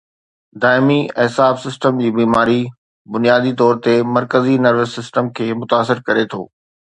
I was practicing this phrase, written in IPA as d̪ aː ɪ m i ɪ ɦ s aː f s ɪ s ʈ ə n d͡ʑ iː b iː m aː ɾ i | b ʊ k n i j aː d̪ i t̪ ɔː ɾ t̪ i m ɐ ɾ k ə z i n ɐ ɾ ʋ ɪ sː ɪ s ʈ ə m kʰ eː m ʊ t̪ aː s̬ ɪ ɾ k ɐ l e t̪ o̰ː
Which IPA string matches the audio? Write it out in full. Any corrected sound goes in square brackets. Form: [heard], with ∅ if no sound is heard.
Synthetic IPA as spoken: d̪ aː ɪ m i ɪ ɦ s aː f s ɪ s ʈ ə [m] d͡ʑ iː b iː m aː ɾ i | b ʊ [∅] n i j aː d̪ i t̪ ɔː ɾ t̪ [e] m ɐ ɾ k ə z i n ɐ ɾ ʋ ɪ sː ɪ s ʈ ə m kʰ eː m ʊ t̪ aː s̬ ɪ ɾ k ɐ [ɾ] e [t̪ʰ] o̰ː